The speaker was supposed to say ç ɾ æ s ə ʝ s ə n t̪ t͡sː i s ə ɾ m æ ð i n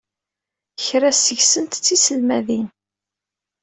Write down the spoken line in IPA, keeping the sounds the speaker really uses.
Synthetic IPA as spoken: ç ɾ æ s ə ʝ s ə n t̪ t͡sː i s ə l m æ ð i n